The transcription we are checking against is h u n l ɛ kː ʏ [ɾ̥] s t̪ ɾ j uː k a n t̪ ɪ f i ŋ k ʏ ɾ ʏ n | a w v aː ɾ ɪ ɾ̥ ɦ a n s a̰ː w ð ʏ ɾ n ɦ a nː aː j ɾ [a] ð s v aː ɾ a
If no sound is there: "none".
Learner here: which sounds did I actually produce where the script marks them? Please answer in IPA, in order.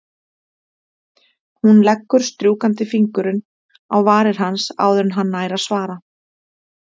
ɾ̥, a

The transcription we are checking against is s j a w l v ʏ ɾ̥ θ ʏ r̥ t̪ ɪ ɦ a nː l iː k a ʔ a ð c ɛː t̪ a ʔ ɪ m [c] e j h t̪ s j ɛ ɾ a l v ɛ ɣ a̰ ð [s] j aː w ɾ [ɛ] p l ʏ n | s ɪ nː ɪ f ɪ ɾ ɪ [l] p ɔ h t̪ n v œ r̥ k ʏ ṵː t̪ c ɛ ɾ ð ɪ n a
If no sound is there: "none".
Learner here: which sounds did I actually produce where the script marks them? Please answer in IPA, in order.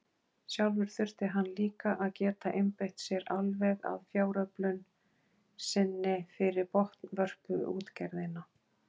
p, f, œ, ɾ

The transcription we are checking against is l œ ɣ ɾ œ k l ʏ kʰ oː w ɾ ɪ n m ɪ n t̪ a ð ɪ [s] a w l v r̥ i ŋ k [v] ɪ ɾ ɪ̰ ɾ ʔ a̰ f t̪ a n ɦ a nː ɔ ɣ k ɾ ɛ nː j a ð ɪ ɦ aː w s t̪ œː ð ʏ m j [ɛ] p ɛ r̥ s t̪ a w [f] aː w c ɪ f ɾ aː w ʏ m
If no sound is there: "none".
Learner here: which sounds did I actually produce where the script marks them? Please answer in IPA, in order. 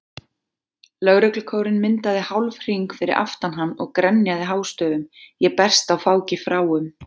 h, f, ɛ, f

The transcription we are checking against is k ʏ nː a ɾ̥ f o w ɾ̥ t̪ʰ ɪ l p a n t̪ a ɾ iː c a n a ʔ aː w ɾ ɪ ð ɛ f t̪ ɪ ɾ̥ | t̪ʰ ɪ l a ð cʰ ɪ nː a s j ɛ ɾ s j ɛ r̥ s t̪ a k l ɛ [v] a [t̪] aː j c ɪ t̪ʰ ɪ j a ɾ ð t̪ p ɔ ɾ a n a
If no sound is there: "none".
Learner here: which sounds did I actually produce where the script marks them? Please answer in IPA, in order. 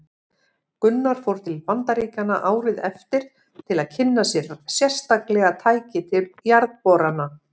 ɣ, t̪ʰ

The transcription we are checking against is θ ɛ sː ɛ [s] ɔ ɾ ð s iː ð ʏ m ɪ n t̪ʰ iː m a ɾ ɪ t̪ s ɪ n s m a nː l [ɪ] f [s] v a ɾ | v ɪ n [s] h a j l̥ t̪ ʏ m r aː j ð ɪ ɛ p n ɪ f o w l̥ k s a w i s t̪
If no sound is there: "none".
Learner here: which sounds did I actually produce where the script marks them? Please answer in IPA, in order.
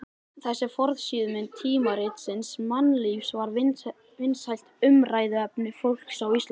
f, i, s, s

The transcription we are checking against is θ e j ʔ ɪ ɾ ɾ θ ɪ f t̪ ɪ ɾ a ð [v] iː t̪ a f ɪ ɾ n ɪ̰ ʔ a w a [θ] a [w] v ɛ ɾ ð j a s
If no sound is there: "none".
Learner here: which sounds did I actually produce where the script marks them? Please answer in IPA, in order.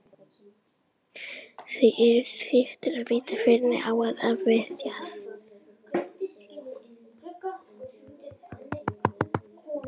v, ð, v

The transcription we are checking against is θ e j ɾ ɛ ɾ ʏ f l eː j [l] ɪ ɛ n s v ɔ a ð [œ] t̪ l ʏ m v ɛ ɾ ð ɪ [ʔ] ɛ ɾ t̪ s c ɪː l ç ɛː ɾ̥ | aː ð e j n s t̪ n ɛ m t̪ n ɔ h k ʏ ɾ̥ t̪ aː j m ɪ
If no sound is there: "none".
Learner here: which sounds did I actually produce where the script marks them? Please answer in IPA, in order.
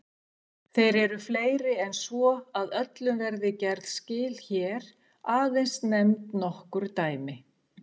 ɾ, œ, c

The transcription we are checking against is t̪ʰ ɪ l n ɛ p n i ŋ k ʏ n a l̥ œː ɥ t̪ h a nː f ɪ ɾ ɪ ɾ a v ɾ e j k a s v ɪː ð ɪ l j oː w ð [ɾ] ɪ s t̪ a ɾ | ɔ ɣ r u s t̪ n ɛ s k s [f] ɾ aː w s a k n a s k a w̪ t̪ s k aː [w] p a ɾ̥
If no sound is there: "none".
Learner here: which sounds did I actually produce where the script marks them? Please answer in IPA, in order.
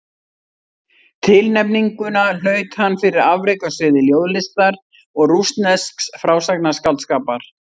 l, f, none

